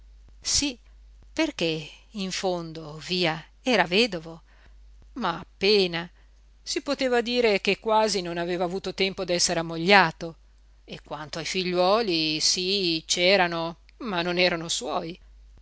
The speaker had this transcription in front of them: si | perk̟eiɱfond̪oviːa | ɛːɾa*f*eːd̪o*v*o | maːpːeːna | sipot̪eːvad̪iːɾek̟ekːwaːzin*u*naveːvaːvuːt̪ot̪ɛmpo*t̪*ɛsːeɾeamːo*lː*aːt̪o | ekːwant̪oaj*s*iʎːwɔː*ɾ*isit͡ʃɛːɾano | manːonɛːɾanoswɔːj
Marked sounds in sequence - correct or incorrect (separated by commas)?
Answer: incorrect, correct, incorrect, incorrect, incorrect, incorrect, incorrect